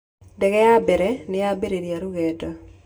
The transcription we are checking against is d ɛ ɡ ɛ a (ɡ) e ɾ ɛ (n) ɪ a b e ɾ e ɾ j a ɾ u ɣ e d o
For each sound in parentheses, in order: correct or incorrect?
incorrect, correct

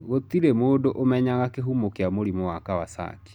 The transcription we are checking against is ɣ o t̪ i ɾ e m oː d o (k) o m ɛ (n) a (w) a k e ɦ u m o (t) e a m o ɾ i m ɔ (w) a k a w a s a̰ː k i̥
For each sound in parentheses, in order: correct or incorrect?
incorrect, incorrect, incorrect, incorrect, correct

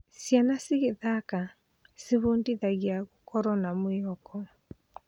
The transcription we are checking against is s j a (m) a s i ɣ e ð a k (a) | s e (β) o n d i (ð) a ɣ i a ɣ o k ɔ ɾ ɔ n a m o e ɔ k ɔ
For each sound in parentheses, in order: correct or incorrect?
incorrect, correct, correct, correct

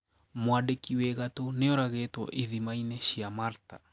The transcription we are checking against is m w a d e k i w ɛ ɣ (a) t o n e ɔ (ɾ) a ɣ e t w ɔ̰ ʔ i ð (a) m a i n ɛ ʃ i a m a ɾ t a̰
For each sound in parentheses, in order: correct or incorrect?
correct, correct, incorrect

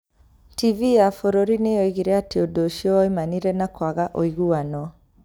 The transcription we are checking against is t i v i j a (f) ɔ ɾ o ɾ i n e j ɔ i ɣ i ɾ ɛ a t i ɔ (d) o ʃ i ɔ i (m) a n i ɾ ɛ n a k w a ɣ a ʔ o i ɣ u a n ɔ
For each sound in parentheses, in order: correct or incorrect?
correct, correct, correct

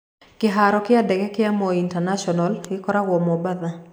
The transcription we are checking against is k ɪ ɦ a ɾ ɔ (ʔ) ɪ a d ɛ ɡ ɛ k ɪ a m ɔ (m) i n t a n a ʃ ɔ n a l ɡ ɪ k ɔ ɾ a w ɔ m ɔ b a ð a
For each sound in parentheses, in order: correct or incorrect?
incorrect, incorrect

